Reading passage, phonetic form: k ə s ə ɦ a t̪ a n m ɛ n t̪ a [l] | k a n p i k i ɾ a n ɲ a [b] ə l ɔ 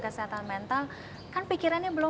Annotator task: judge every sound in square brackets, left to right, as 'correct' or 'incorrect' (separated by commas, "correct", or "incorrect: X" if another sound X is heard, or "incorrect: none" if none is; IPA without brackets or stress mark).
correct, correct